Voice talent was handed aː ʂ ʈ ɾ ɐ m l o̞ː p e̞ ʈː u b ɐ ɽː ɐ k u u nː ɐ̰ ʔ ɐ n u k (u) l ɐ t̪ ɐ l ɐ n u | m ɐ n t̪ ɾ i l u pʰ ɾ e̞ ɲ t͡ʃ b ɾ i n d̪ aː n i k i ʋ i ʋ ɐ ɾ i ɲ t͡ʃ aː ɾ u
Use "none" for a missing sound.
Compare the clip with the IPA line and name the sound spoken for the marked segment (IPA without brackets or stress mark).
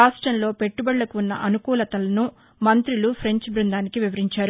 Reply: uː